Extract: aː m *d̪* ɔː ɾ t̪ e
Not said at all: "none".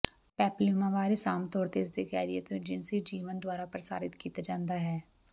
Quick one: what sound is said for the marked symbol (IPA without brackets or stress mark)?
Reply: t̪